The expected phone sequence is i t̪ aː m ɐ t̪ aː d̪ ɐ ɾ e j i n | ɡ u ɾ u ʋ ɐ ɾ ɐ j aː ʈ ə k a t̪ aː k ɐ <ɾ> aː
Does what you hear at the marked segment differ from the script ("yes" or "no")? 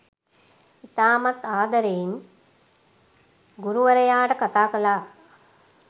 yes